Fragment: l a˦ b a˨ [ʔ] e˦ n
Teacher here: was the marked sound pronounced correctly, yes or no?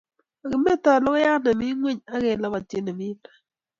no